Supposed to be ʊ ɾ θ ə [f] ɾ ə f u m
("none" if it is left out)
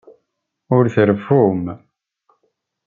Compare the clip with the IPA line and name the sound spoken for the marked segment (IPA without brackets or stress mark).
none